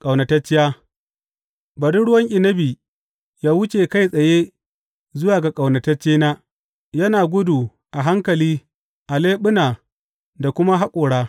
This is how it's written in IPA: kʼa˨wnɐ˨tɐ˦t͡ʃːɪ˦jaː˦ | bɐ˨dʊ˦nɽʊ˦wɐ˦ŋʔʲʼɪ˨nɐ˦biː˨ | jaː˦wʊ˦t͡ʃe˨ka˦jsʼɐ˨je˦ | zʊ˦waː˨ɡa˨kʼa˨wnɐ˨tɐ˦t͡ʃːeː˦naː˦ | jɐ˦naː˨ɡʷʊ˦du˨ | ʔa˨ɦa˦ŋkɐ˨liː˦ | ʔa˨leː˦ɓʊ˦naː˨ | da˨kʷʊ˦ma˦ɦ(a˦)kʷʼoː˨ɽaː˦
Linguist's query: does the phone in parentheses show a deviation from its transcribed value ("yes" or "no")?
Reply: no